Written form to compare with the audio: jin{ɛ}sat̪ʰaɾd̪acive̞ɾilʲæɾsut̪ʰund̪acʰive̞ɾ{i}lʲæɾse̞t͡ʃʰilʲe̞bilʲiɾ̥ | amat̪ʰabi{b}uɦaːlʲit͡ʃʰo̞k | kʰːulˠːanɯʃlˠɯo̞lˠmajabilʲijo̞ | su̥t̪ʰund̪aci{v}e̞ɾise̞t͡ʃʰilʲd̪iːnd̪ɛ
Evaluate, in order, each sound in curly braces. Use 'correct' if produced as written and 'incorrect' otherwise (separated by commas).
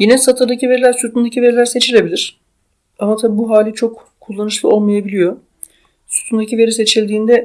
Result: correct, correct, correct, correct